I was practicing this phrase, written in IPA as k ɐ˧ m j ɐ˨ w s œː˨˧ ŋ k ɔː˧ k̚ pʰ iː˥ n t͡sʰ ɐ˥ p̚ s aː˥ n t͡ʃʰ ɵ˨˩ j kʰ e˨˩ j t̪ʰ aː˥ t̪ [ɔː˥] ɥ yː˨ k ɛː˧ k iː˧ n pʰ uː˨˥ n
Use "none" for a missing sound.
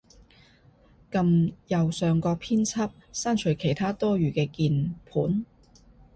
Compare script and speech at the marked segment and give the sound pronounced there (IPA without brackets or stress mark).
ɔː˥